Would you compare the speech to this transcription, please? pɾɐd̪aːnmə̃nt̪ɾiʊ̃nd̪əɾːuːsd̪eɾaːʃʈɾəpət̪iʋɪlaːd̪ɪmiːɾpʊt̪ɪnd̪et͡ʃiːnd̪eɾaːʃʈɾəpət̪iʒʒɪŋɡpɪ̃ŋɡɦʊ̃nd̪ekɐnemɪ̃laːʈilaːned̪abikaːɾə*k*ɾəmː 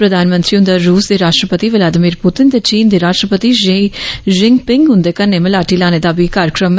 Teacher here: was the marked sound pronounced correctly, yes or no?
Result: yes